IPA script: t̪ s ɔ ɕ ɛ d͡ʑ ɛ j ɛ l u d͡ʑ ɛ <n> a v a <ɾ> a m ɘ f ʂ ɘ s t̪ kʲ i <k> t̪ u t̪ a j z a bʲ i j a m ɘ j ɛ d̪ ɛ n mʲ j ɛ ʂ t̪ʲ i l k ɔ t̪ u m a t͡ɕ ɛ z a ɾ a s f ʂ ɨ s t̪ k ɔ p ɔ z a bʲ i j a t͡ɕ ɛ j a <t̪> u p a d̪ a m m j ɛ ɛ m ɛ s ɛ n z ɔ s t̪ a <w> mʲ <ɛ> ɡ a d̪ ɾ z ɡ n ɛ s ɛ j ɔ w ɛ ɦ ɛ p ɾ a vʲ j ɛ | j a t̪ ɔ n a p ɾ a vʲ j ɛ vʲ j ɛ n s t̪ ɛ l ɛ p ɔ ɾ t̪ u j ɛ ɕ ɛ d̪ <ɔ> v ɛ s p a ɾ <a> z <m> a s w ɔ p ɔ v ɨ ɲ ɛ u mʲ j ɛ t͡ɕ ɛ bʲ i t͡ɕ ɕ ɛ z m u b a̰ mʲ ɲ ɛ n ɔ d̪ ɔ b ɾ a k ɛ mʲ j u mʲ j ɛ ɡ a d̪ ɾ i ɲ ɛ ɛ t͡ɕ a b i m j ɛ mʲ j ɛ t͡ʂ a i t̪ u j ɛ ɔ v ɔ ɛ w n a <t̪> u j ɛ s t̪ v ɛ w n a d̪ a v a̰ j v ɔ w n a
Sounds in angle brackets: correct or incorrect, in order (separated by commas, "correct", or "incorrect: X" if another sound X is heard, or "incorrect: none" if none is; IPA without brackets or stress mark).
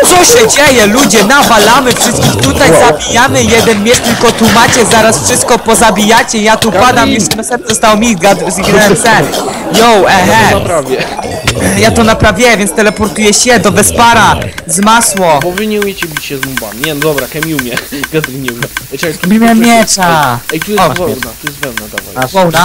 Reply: correct, incorrect: l, incorrect: x, correct, correct, incorrect: i, correct, correct, correct, correct